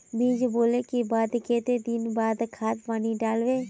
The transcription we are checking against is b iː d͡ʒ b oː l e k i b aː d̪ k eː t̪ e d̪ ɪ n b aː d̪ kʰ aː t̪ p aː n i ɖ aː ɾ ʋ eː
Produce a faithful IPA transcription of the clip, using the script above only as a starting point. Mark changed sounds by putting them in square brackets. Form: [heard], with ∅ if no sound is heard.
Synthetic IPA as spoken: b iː d͡ʒ b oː l e k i b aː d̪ k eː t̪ e d̪ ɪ n b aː d̪ kʰ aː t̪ p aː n i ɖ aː [l] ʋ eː